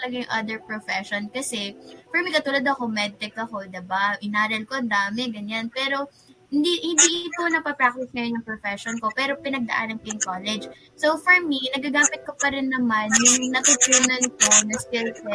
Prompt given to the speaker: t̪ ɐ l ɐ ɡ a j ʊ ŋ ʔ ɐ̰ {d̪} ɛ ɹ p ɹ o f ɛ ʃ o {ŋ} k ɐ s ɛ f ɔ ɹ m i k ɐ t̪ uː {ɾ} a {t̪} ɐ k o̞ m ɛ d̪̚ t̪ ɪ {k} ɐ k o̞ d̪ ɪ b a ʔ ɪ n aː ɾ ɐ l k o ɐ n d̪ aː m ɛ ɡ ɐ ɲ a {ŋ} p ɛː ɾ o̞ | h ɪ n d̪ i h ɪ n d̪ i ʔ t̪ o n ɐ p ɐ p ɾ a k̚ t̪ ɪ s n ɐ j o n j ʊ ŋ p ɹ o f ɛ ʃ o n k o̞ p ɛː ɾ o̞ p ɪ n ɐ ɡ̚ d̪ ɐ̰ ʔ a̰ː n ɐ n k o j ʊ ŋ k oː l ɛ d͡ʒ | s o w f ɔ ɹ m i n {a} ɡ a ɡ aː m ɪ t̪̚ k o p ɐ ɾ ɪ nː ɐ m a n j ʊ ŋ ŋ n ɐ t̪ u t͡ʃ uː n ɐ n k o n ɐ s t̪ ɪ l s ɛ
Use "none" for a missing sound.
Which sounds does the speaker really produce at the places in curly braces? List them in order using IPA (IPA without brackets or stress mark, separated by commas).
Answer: d̪, n, l, d̪, k, n, ɐ